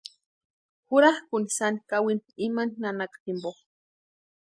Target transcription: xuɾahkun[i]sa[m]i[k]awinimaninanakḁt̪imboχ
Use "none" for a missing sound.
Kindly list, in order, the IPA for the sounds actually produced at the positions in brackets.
i, n, k

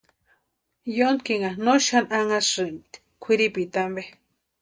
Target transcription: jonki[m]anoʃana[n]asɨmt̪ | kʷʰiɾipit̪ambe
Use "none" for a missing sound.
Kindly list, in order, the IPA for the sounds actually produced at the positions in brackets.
ŋ, ŋ

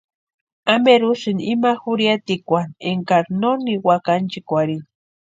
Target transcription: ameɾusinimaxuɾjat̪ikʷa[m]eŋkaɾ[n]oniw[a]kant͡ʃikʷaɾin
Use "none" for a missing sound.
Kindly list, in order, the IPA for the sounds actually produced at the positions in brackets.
n, n, a

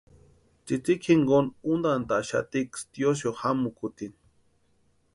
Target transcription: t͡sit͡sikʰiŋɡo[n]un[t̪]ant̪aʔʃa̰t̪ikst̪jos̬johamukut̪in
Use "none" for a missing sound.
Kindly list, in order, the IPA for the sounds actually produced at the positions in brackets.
n, d̪

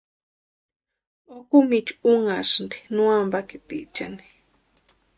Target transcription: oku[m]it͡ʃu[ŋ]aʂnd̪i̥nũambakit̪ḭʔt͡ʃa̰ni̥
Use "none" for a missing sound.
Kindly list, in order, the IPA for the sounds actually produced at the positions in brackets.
m, ŋ

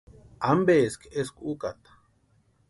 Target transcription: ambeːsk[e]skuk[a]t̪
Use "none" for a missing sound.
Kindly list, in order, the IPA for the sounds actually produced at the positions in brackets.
e, a

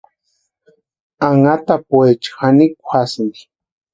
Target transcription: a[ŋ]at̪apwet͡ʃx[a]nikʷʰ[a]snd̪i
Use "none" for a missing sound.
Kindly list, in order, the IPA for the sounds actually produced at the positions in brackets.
ŋ, a, a

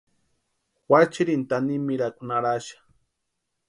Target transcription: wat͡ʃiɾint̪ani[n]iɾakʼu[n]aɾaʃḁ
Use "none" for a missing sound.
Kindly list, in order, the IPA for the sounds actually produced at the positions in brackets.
m, n

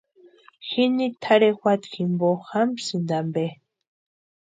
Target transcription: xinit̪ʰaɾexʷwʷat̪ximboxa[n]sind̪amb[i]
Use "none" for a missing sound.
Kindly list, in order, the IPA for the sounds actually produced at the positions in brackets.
m, e

